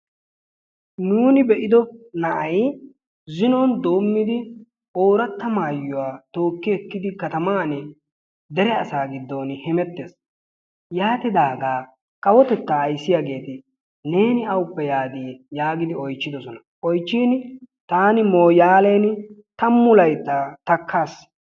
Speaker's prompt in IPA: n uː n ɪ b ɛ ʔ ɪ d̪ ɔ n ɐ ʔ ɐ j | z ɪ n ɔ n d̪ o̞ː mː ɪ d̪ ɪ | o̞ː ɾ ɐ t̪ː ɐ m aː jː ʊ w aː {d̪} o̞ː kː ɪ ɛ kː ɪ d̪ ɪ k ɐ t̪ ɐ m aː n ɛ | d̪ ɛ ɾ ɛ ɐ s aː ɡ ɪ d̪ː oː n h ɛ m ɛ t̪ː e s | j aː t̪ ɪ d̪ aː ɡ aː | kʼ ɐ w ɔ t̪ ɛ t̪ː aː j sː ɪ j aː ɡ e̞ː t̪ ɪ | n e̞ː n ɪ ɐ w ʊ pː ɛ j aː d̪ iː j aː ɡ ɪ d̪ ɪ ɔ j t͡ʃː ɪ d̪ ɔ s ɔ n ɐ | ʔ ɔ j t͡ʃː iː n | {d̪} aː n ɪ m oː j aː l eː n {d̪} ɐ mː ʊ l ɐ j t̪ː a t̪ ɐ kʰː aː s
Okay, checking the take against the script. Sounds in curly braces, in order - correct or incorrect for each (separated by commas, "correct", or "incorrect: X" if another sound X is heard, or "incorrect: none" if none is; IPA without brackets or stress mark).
incorrect: t̪, incorrect: t̪, incorrect: t̪